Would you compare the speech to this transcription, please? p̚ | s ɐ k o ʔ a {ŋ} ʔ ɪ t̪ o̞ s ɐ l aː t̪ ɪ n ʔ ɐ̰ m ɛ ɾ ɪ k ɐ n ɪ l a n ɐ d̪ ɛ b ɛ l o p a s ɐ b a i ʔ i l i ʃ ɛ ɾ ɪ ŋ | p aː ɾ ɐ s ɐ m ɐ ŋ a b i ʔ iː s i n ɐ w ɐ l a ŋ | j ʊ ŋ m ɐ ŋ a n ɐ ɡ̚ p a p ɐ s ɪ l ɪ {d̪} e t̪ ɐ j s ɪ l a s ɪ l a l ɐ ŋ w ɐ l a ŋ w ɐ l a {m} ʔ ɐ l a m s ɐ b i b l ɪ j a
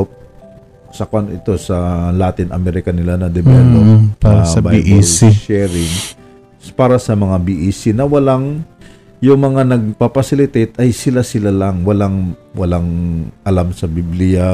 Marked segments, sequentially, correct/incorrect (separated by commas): incorrect, incorrect, incorrect